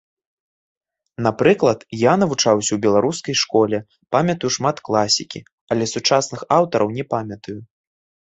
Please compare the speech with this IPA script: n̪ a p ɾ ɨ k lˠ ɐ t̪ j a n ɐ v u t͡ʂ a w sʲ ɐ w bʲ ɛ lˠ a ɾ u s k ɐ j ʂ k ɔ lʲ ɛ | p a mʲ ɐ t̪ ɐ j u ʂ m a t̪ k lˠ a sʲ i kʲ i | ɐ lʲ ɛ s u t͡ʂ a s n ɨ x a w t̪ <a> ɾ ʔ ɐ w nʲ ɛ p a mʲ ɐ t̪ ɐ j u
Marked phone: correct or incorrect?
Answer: incorrect